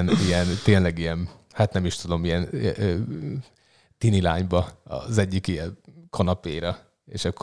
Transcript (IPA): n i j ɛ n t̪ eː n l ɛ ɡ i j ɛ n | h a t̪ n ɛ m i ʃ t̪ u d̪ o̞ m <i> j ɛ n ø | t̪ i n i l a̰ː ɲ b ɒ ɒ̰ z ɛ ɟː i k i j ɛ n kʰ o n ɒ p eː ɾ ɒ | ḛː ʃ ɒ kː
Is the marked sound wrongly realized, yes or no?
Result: no